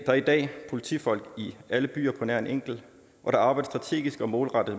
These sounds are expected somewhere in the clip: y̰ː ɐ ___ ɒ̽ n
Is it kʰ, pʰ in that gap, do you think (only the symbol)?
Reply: pʰ